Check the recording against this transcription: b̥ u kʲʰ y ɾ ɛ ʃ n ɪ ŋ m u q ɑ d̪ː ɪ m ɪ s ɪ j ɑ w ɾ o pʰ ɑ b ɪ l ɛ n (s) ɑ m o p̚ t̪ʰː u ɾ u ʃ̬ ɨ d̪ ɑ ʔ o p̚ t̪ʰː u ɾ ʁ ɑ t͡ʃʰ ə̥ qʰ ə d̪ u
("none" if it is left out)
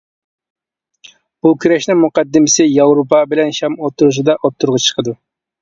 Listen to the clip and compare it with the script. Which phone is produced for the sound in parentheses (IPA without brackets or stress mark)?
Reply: ʃ